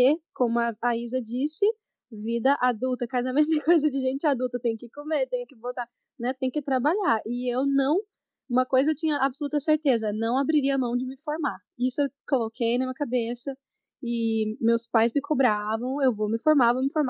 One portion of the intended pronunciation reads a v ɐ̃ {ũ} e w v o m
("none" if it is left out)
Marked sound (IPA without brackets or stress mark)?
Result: w̃